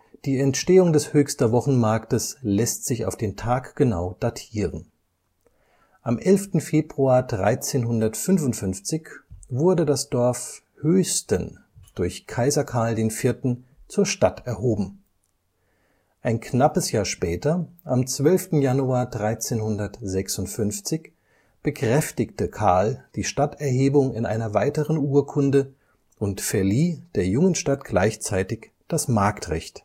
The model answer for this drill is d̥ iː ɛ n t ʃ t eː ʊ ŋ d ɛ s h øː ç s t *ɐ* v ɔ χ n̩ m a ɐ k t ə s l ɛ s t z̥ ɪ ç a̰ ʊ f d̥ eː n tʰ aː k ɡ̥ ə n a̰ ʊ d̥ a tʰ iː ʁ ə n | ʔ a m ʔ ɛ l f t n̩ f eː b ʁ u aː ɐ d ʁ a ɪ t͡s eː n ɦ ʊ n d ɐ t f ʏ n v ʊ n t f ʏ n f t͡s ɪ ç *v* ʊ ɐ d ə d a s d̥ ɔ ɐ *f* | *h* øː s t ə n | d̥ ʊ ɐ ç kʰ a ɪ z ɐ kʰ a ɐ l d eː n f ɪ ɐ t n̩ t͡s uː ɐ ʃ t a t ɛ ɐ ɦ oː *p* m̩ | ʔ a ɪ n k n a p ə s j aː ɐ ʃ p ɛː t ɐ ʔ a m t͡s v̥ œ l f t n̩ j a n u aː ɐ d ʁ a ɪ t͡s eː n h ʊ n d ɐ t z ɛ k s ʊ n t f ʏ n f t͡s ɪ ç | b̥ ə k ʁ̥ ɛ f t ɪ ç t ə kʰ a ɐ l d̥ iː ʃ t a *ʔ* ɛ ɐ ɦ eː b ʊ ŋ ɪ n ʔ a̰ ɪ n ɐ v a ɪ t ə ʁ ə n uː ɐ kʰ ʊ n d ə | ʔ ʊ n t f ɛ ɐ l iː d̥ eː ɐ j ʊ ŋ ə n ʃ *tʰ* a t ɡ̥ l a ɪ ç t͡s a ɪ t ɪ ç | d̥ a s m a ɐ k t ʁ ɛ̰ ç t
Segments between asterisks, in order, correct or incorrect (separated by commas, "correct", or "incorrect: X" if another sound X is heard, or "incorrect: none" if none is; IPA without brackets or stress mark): correct, correct, correct, correct, incorrect: b, incorrect: t, incorrect: t